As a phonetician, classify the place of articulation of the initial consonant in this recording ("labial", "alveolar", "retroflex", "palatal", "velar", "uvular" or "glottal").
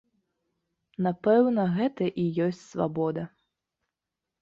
alveolar